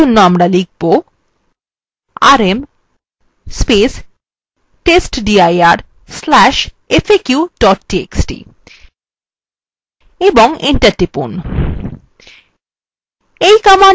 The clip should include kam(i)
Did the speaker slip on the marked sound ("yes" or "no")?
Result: yes